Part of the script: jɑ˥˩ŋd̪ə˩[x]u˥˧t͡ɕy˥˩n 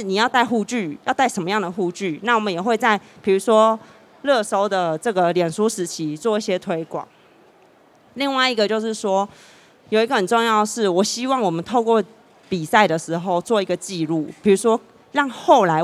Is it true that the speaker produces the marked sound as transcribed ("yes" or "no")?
yes